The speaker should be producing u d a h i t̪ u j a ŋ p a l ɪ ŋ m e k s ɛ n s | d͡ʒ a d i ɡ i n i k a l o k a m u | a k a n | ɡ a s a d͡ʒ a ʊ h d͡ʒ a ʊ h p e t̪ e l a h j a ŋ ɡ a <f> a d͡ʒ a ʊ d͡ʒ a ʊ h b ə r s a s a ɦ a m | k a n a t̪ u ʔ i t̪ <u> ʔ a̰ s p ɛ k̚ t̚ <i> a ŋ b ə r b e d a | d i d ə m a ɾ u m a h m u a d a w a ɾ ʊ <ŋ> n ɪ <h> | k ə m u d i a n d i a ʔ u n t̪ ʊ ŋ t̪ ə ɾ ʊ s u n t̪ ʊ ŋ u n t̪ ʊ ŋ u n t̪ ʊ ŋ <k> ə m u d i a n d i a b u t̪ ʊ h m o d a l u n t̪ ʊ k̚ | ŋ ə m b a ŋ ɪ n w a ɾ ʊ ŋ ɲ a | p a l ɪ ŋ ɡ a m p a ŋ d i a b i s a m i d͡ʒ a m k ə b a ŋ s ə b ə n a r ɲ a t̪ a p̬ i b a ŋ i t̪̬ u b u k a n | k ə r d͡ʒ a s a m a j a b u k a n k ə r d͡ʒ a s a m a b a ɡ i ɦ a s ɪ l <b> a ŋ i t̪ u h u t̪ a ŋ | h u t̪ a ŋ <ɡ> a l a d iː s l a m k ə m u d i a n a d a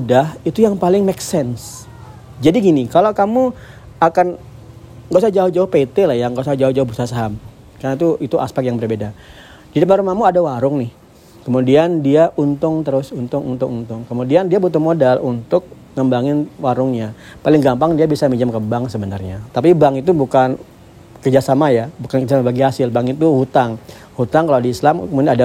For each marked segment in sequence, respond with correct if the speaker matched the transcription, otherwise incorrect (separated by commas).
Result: incorrect, correct, incorrect, correct, correct, correct, correct, incorrect